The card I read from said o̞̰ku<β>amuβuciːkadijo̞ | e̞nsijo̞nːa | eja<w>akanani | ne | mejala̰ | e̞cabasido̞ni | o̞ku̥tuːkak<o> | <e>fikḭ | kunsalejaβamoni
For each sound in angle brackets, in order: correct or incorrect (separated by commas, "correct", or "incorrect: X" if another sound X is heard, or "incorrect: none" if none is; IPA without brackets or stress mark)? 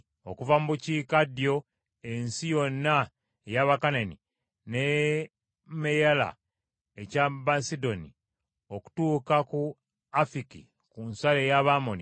incorrect: v, incorrect: β, incorrect: u, incorrect: a